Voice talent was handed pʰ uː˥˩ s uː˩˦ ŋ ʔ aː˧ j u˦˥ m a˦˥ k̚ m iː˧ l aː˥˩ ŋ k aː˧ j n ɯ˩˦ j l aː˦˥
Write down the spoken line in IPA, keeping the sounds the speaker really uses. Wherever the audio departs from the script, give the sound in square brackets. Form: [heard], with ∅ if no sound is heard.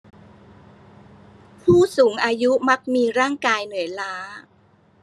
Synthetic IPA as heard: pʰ uː˥˩ s uː˩˦ ŋ ʔ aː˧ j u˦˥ m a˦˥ k̚ m iː˧ [ɾ] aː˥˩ ŋ k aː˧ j n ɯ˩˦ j l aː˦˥